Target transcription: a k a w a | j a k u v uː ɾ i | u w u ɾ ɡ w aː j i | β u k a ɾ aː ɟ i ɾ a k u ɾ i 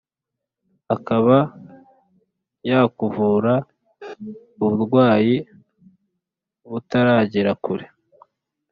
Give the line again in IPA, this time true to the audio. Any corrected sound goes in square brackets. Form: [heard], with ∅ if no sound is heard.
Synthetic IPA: a k a [β] a | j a k u v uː ɾ [a] | u [β] u ɾ ɡ w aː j i | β u [t] a ɾ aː ɟ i ɾ a k u ɾ [e]